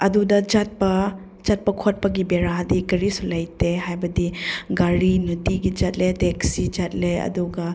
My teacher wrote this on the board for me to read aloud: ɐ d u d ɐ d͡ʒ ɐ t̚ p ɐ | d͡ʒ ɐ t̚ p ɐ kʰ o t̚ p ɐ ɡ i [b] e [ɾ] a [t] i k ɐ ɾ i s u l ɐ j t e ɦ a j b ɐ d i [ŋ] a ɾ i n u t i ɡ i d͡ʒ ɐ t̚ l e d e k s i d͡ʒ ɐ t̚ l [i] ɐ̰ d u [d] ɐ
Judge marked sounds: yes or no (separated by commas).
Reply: yes, yes, no, no, no, no